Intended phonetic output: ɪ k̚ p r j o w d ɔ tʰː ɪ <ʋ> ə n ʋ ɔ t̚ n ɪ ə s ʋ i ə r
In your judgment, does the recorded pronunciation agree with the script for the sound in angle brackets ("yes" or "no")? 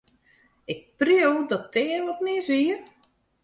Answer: no